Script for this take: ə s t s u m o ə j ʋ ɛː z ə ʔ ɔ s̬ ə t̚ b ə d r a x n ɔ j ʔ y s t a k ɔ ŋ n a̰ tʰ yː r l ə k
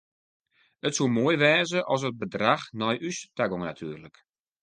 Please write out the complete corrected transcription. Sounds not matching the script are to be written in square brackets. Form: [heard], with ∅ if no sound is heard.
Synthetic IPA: ə [∅] t s u m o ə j ʋ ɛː z ə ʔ ɔ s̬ ə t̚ b ə d r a x n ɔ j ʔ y s t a [ɡ] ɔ ŋ n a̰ tʰ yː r l ə k